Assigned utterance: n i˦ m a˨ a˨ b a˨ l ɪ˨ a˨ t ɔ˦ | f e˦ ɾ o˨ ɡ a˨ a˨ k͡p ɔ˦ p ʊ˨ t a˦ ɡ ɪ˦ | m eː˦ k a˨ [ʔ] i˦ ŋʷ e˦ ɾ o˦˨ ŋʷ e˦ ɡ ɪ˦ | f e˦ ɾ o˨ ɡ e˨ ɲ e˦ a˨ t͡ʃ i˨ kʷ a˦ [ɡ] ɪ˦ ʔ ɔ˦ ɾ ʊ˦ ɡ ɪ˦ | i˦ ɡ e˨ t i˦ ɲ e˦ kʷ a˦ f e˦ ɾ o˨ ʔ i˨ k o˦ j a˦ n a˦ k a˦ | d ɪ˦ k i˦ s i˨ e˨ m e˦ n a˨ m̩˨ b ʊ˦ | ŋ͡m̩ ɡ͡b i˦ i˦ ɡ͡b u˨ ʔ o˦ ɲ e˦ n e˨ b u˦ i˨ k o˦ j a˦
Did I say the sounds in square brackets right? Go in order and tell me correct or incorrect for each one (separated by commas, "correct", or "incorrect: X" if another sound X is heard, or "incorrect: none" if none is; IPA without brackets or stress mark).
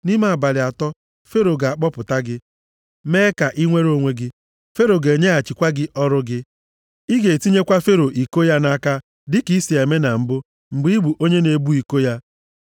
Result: correct, correct